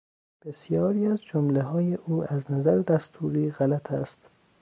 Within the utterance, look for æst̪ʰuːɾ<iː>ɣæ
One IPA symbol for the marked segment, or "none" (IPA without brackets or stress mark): iː